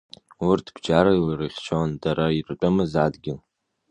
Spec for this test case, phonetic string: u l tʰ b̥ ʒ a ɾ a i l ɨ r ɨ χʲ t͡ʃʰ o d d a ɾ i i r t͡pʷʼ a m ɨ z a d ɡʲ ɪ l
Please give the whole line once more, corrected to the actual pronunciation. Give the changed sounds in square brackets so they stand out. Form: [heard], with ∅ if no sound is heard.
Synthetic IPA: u [r] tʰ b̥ [d͡ʒ] a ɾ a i l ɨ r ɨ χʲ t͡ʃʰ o [n] d a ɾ [a] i r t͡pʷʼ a m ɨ z a d ɡʲ ɪ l